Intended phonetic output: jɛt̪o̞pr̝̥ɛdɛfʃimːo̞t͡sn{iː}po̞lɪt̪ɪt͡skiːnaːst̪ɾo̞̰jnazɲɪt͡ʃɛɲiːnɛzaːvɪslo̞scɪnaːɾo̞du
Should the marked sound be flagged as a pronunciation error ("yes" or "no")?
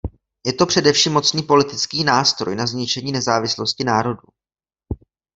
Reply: no